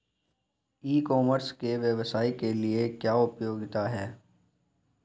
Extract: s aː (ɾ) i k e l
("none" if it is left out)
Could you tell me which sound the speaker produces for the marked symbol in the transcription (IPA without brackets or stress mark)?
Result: none